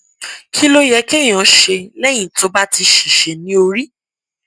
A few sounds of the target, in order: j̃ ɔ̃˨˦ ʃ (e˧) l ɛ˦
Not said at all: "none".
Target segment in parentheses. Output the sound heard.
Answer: e˧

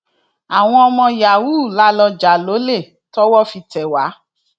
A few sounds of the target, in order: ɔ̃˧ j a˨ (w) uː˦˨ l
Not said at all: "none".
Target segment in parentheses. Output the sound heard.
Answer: w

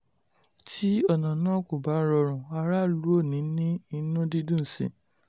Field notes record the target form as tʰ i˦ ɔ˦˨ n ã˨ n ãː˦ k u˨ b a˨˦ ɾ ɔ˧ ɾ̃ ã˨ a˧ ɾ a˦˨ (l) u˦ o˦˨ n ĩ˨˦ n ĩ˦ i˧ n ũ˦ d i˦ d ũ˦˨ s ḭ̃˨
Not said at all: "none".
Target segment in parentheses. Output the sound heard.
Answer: l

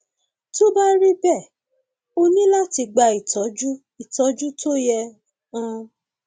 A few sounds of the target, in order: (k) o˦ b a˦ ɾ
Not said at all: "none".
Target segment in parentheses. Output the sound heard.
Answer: t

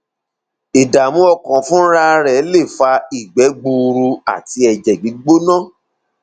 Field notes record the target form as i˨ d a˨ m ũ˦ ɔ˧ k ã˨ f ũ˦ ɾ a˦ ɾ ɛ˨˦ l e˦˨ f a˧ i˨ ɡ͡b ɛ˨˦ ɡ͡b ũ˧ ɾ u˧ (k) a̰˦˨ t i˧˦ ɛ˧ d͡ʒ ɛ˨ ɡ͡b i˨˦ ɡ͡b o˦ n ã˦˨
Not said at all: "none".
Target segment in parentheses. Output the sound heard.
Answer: none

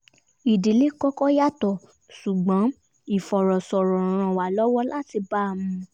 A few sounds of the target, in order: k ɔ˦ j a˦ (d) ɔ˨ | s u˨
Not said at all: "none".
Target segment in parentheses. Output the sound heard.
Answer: t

